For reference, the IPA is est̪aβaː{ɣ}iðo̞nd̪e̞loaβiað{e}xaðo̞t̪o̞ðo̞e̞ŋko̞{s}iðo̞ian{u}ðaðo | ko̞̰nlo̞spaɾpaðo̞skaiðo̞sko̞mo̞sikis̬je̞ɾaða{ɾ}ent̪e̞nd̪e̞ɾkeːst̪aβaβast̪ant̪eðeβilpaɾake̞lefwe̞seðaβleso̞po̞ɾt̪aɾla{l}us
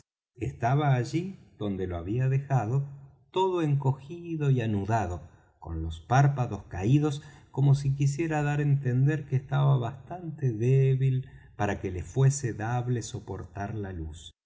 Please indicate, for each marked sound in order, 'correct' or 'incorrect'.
incorrect: ʒ, correct, incorrect: x, correct, correct, correct

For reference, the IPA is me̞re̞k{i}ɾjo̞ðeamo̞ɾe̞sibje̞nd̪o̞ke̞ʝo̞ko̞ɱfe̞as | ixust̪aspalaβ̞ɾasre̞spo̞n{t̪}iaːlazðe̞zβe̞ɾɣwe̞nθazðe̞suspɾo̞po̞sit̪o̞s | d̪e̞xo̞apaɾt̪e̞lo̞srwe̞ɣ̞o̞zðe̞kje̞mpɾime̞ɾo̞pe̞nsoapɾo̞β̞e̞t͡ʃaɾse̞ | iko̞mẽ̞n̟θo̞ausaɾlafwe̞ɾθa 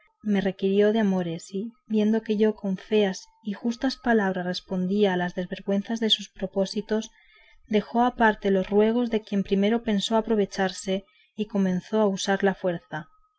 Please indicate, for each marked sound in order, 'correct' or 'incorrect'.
correct, incorrect: d̪

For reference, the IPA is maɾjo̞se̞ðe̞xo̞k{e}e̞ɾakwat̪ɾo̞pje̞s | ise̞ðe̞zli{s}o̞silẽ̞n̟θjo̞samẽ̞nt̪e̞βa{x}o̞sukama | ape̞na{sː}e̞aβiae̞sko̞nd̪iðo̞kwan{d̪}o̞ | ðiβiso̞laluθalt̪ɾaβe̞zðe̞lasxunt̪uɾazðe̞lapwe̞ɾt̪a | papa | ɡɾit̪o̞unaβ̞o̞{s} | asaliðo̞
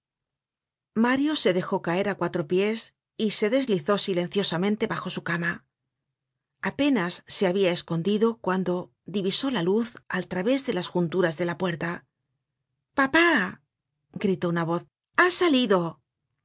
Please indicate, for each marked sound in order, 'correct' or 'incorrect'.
incorrect: a, incorrect: θ, correct, correct, correct, incorrect: θ

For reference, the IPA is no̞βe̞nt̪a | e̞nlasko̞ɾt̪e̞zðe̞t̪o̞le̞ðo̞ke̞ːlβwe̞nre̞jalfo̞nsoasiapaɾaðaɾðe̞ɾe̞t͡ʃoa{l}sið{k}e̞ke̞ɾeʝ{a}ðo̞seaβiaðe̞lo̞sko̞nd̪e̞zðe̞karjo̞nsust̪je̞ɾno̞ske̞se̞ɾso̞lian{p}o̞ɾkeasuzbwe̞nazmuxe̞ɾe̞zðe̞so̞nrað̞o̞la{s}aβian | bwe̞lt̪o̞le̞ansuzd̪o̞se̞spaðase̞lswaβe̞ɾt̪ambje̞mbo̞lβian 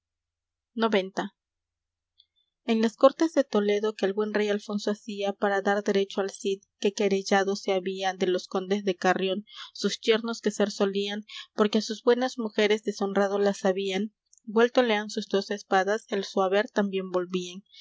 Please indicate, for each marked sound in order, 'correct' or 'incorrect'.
correct, correct, correct, correct, correct

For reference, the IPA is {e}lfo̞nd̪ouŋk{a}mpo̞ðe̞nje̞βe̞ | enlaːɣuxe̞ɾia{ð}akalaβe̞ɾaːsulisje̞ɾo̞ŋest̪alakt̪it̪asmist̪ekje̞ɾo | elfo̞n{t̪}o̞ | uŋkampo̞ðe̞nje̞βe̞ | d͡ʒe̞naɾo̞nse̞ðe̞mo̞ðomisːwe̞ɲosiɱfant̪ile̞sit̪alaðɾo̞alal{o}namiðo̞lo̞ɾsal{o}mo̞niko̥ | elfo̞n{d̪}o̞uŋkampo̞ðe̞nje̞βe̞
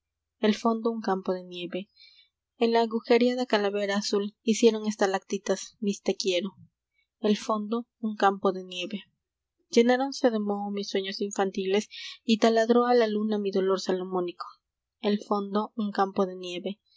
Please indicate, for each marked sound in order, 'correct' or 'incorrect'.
correct, correct, correct, incorrect: d̪, incorrect: u, correct, correct

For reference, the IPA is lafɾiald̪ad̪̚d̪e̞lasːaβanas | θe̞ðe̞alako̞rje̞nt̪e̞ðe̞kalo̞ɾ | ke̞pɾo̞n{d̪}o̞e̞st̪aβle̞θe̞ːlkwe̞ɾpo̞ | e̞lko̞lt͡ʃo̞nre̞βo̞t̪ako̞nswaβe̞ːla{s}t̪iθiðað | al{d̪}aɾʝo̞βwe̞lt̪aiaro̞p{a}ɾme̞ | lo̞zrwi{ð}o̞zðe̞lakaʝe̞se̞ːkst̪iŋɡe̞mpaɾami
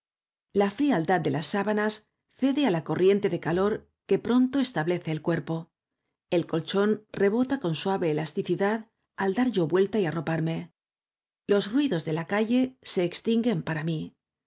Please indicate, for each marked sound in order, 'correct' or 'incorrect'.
incorrect: t̪, correct, correct, correct, correct

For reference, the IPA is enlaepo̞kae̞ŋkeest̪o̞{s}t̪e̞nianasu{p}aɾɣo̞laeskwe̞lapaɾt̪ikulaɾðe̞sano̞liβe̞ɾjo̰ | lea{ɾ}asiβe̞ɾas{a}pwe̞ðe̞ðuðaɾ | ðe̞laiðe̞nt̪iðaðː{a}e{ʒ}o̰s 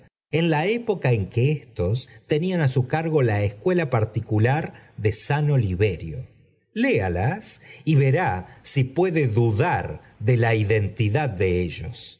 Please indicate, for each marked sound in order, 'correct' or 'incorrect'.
correct, incorrect: k, incorrect: l, incorrect: i, incorrect: e, correct

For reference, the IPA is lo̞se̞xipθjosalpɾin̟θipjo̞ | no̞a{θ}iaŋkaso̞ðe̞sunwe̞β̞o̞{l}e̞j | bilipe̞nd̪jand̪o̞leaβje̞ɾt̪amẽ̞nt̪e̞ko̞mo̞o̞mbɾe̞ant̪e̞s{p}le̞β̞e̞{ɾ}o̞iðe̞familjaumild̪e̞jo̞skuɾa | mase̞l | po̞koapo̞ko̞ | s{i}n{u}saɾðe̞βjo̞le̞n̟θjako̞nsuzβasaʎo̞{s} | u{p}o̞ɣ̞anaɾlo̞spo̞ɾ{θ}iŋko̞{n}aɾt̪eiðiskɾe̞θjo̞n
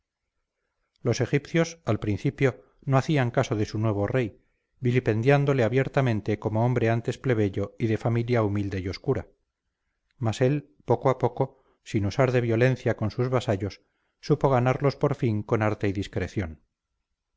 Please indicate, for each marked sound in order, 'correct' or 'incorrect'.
correct, incorrect: r, correct, incorrect: ʎ, correct, correct, incorrect: sː, correct, incorrect: f, correct

